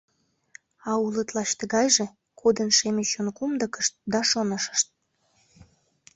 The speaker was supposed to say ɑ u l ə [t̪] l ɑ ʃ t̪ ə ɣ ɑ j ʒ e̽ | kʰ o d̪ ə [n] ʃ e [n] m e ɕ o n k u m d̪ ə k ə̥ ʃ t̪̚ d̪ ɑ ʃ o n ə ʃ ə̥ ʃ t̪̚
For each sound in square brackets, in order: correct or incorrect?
correct, correct, incorrect: none

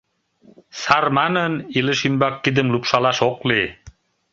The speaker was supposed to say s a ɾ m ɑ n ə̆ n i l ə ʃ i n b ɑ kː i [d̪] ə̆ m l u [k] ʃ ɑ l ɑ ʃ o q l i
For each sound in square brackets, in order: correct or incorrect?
correct, incorrect: p

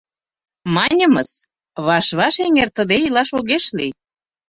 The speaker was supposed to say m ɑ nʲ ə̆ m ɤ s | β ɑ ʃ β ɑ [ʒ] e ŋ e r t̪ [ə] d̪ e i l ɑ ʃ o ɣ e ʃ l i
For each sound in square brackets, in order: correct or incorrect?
incorrect: ʃ, correct

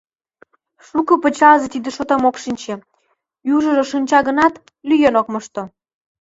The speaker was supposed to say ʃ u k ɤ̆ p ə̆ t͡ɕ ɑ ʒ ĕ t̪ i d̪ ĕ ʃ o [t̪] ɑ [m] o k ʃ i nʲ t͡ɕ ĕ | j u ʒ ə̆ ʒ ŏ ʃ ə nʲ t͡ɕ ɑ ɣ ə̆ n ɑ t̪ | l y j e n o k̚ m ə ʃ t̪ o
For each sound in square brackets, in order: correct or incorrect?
correct, correct

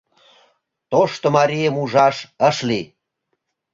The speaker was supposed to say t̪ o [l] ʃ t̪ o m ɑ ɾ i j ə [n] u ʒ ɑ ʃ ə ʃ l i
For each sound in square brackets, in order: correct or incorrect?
incorrect: none, incorrect: m

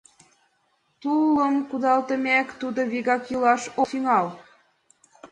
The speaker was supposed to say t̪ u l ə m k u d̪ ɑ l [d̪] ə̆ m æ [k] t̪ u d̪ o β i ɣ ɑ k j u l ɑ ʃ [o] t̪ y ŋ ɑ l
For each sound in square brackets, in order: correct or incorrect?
incorrect: t̪, correct, correct

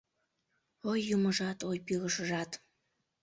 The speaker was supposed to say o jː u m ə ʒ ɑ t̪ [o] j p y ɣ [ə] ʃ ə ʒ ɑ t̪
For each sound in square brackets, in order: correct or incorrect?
correct, correct

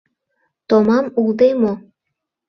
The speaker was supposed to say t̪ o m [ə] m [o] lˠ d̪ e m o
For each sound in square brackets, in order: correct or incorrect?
incorrect: ɑ, incorrect: u

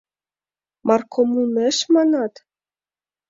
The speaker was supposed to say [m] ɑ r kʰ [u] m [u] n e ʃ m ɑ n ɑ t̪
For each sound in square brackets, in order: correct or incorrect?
correct, incorrect: o, correct

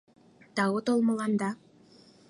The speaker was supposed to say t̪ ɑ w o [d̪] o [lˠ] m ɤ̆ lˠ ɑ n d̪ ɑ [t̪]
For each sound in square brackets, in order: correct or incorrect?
incorrect: t̪, correct, incorrect: none

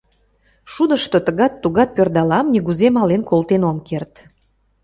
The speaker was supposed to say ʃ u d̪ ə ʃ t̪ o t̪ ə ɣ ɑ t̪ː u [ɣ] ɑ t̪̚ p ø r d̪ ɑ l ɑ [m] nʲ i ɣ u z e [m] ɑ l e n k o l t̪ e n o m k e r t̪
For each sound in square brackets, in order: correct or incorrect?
correct, correct, correct

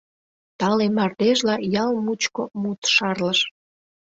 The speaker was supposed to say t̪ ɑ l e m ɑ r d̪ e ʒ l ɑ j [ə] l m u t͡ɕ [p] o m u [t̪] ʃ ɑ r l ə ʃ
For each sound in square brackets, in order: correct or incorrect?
incorrect: ɑ, incorrect: k, correct

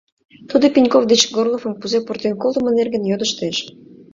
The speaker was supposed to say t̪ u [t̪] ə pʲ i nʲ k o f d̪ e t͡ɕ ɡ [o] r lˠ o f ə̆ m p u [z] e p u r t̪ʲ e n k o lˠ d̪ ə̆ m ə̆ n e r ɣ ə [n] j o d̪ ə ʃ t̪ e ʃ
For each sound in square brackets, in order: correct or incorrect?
incorrect: d̪, correct, correct, correct

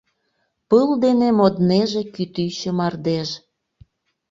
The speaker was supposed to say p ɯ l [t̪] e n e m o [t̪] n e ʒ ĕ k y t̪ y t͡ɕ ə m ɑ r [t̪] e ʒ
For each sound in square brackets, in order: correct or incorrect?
incorrect: d̪, incorrect: d̪, incorrect: d̪

